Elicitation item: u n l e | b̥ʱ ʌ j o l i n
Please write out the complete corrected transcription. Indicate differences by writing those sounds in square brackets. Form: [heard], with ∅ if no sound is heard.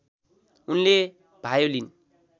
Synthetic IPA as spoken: u n l e | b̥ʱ [a] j o l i n